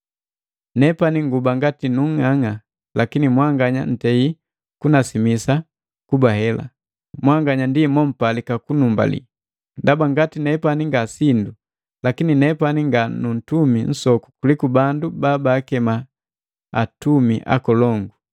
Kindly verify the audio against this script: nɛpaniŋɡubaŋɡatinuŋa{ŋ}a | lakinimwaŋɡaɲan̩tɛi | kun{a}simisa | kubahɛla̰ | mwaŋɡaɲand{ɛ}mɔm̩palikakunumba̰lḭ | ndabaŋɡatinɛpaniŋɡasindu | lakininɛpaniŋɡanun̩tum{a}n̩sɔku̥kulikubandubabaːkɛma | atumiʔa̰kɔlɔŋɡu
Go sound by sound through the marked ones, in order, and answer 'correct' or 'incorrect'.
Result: correct, correct, incorrect: i, incorrect: i

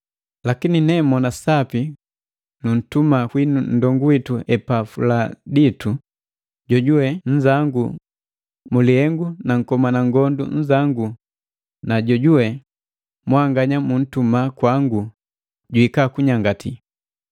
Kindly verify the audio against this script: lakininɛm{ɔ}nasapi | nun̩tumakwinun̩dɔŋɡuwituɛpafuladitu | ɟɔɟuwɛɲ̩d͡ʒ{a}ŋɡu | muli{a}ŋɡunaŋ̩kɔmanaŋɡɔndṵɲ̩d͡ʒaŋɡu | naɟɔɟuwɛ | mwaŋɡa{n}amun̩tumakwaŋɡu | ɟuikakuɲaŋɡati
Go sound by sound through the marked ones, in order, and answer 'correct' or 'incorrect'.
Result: correct, correct, incorrect: ɛ, incorrect: ɲ

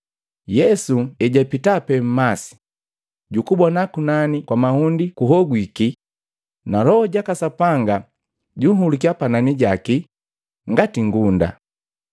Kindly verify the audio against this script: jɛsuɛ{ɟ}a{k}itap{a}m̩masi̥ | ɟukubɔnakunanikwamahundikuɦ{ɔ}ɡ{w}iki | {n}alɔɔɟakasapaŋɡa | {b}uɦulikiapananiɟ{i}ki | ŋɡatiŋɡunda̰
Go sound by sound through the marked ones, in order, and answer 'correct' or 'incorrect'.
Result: correct, incorrect: p, incorrect: ɛ, correct, correct, correct, incorrect: ɟ, incorrect: a

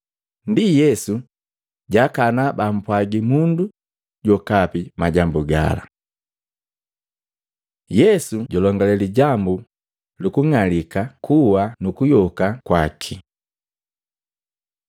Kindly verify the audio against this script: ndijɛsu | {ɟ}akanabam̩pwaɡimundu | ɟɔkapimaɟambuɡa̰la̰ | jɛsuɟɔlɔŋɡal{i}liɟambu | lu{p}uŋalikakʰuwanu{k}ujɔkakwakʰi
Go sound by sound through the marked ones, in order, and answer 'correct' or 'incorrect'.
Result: correct, incorrect: ɛ, incorrect: k, correct

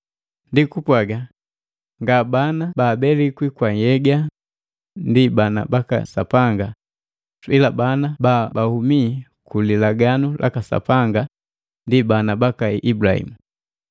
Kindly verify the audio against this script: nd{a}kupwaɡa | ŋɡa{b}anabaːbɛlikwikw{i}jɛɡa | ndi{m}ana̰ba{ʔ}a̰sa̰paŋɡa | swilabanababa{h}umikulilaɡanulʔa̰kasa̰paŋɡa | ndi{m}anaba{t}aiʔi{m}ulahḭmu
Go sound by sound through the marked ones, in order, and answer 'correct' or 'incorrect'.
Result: incorrect: i, correct, incorrect: a, incorrect: b, incorrect: k, correct, incorrect: b, incorrect: k, incorrect: b

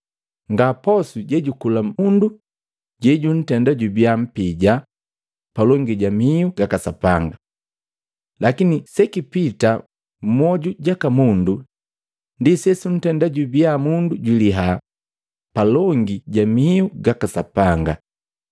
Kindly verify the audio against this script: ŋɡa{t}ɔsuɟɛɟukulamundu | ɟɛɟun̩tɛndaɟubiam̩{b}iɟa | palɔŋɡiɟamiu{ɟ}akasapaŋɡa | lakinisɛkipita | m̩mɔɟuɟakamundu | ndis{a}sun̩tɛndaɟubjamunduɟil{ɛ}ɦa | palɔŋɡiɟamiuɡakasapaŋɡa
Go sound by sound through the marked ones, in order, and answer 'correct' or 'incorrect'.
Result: incorrect: p, incorrect: p, incorrect: ɡ, incorrect: ɛ, incorrect: i

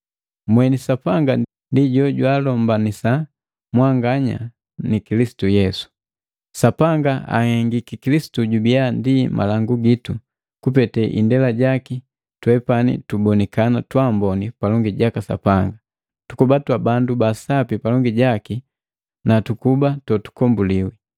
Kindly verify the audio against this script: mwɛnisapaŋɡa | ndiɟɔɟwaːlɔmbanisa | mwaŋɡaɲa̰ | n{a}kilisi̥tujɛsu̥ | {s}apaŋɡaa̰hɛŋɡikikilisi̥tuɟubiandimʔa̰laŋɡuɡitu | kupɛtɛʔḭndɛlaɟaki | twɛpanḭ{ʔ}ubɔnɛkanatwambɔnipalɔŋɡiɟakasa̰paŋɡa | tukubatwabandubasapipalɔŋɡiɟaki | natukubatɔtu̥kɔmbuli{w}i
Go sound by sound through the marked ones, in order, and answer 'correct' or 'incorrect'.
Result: incorrect: i, correct, incorrect: t, correct

